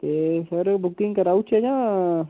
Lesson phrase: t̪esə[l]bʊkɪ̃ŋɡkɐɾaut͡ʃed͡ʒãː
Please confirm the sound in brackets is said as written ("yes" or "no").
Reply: no